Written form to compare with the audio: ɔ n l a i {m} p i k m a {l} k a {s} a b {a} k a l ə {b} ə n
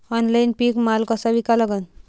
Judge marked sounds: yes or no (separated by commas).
no, yes, yes, no, no